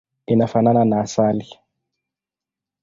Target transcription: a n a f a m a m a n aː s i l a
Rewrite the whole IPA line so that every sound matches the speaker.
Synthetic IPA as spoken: i n a f a n a n a n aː s a l i

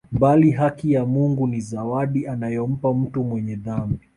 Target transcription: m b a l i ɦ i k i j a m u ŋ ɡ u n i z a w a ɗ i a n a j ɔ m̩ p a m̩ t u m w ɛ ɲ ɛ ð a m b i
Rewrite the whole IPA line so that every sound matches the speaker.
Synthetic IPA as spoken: m b a l i ɦ a k i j a m u ŋ ɡ u n i z a w a ɗ i a n a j ɔ m̩ p a m̩ t u m w ɛ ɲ ɛ ð a m b i

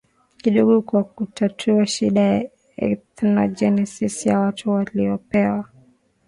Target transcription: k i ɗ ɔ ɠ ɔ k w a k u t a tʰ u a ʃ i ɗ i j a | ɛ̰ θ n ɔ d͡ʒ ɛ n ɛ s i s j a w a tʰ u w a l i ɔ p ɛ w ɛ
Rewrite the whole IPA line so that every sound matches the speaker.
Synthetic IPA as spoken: k i ɗ ɔ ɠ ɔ k w a k u t a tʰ u a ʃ i ɗ a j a | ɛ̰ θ n ɔ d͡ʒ ɛ n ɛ s i s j a w a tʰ u w a l i ɔ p ɛ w a

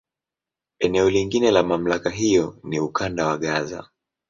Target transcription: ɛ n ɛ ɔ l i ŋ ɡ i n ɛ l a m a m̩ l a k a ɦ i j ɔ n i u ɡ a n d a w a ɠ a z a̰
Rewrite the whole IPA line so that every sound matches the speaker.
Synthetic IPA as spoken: ɛ n ɛ ɔ l i ŋ ɡ i n ɛ l a m a m̩ l a k a ɦ i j ɔ n i u k a n d a w a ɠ a z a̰

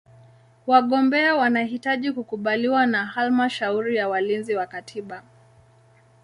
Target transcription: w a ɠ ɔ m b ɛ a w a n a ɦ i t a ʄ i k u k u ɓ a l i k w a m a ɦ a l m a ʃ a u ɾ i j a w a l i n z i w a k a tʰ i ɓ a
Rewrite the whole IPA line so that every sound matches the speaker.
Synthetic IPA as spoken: w a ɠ ɔ m b ɛ a w a n a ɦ i t a ʄ i k u k u ɓ a l i w a n a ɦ a l m a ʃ a u ɾ i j a w a l i n z i w a k a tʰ i ɓ a

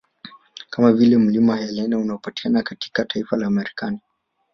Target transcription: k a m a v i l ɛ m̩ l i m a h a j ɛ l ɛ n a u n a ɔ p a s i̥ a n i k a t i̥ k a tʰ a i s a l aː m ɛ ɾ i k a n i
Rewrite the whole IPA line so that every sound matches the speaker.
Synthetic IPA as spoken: k a m a v i l ɛ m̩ l i m a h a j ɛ l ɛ n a u n a ɔ p a t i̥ a n a k a t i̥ k a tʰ a i f a l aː m ɛ ɾ i k a n i

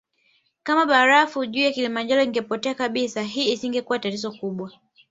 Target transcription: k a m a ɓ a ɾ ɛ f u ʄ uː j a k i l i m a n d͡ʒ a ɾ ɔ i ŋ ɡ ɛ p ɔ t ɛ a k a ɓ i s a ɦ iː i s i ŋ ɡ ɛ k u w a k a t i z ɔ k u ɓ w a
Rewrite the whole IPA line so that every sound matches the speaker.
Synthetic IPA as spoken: k a m a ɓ a ɾ a f u ʄ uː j a k i l i m a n d͡ʒ a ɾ ɔ i ŋ ɡ ɛ p ɔ t ɛ a k a ɓ i s a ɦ iː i s i ŋ ɡ ɛ k u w a t a t i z ɔ k u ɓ w a

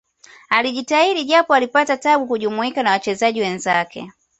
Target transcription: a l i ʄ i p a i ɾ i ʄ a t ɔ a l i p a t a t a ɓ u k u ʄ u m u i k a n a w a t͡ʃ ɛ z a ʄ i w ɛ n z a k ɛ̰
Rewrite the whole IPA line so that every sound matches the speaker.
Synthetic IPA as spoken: a l i ʄ i t a i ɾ i ʄ a p ɔ a l i p a t a t a ɓ u k u ʄ u m u i k a n a w a t͡ʃ ɛ z a ʄ i w ɛ n z a k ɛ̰

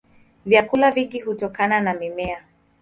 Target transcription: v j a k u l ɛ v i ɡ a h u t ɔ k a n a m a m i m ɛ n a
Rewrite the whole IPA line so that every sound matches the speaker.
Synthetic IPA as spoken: v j a k u l a v i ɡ i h u t ɔ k a n a n a m i m ɛ a

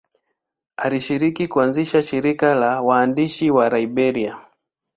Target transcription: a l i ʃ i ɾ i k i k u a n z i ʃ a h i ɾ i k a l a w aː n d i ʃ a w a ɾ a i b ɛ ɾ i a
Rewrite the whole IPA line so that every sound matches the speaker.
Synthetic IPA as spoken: a l i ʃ i ɾ i k i k u a n z i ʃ a ʃ i ɾ i k a l a w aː n d i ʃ i w a ɾ a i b ɛ ɾ i a

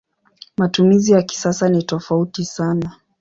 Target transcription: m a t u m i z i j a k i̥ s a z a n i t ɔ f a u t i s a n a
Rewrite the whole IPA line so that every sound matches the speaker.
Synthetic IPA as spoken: m a t u m i z i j a k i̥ s a s a n i t ɔ f a u t i s a n a

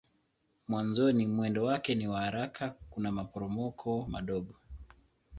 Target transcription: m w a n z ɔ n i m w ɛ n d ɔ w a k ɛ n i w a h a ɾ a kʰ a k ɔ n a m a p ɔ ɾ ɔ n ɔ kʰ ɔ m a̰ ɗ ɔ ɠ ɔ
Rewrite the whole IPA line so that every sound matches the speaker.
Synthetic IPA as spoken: m w a n z ɔ n i m w ɛ n d ɔ w a k ɛ n i w a h a ɾ a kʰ a k u n a m a p ɔ ɾ ɔ m ɔ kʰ ɔ m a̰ ɗ ɔ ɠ ɔ

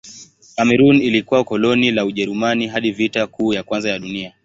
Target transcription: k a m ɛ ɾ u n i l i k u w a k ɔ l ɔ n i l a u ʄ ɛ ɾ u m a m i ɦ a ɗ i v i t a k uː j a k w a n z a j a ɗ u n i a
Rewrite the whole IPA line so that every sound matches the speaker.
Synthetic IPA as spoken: k a m ɛ ɾ u n i l i k u w a k ɔ l ɔ n i l a u ʄ ɛ ɾ u m a n i ɦ a ɗ i v i t a k uː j a k w a n z a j a ɗ u n i a

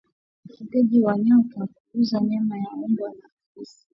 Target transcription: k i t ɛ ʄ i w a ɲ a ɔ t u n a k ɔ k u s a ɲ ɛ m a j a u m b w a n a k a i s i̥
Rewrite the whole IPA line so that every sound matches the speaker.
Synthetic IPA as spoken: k i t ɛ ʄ i w a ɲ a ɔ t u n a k u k u z a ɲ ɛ m a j a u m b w a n a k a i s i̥

